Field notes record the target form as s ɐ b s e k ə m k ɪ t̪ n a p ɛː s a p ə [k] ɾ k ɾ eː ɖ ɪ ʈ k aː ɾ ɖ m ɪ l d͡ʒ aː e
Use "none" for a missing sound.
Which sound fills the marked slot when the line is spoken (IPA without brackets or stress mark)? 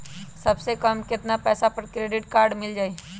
none